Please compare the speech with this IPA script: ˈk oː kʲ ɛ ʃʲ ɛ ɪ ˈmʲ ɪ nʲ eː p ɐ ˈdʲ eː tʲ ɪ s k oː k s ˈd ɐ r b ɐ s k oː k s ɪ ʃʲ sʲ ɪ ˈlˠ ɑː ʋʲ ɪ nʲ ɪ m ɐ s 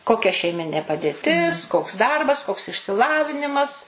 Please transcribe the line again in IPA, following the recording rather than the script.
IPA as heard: ˈk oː kʲ ɛ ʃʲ ɛ ɪ ˈmʲ ɪ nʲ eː p ɐ ˈdʲ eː tʲ ɪ s k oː k s ˈd ɐ r b ɐ s k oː k s ɪ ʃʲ sʲ ɪ ˈlˠ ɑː ʋʲ ɪ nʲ ɪ m ɐ s